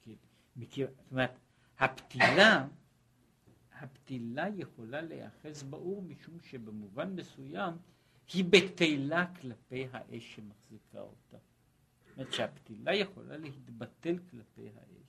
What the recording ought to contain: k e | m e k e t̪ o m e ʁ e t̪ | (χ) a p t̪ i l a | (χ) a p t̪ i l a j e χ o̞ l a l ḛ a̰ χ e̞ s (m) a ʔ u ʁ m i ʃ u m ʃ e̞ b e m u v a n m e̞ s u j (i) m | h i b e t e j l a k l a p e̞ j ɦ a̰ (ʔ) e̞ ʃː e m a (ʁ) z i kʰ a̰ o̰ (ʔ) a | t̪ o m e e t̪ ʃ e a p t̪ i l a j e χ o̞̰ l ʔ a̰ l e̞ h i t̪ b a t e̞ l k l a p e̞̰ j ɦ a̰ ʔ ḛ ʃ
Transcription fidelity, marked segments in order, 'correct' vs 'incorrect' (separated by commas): incorrect, incorrect, incorrect, incorrect, correct, incorrect, incorrect